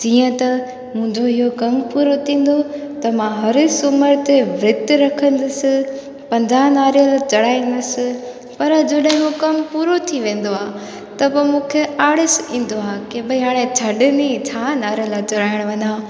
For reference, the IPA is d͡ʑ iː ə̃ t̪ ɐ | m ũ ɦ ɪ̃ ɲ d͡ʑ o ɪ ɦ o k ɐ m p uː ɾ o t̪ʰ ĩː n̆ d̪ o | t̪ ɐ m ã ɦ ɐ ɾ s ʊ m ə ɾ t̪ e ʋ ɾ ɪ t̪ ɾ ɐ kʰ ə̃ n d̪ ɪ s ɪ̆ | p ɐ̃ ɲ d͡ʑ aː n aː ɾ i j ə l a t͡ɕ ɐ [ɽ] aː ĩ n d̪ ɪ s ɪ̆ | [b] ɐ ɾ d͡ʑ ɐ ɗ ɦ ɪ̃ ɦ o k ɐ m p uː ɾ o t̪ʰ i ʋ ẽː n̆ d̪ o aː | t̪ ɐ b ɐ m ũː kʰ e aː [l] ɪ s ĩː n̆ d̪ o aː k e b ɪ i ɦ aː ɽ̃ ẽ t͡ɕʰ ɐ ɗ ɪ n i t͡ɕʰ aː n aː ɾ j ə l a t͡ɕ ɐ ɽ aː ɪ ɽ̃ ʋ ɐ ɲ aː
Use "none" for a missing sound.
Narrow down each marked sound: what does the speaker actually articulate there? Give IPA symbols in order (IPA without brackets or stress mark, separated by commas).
ɽ, p, ɽ